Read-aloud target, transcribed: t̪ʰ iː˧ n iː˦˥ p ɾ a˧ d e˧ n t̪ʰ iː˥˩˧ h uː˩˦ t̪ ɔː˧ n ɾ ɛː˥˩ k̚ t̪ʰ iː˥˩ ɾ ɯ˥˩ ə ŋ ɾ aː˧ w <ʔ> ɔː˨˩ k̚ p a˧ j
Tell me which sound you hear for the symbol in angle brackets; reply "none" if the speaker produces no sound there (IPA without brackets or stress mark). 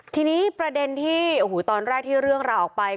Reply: ʔ